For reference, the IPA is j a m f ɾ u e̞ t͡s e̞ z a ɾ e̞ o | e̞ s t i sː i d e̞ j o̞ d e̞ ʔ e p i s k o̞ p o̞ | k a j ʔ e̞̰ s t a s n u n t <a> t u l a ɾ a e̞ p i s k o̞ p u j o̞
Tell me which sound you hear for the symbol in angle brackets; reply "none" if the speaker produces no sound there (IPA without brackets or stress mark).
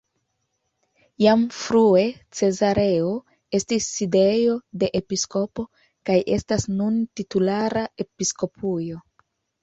i